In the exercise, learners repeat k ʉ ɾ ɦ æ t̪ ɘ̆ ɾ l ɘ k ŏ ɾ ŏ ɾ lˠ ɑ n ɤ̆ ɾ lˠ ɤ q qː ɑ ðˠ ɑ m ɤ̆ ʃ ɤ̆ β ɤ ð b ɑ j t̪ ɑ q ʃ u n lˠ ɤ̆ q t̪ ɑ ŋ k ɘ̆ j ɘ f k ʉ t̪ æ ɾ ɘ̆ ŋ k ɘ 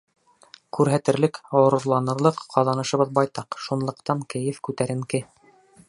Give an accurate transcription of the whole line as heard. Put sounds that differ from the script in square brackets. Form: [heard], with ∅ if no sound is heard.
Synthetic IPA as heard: k ʉ ɾ ɦ æ t̪ ɘ̆ ɾ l ɘ k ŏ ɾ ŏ ɾ lˠ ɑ n ɤ̆ ɾ lˠ ɤ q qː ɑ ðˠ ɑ [n] ɤ̆ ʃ ɤ̆ β ɤ ð b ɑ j t̪ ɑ q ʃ u n lˠ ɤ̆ q t̪ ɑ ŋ k ɘ̆ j ɘ f k ʉ t̪ æ ɾ ɘ̆ ŋ k ɘ